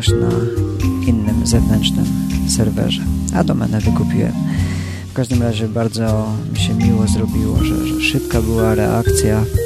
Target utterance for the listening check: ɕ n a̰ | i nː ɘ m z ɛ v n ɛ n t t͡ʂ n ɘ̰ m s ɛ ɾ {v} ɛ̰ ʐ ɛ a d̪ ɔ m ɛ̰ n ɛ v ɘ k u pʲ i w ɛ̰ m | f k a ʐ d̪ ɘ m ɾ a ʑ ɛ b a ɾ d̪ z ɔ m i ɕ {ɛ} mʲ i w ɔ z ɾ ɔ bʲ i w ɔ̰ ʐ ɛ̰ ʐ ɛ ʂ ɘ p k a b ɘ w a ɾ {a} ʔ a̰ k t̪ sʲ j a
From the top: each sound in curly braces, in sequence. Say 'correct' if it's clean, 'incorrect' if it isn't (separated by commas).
correct, correct, incorrect